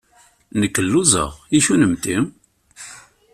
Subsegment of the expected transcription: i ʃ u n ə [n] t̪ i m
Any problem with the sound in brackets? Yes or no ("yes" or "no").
yes